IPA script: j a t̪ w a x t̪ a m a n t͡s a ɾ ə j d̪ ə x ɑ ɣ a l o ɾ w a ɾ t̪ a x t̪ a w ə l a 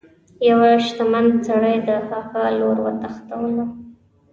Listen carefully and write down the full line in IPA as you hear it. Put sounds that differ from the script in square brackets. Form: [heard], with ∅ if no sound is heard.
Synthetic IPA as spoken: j a [∅] w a [ʃ] t̪ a m a n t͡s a [ɽ] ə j d̪ ə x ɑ [x] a l o ɾ w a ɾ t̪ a x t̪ a w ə l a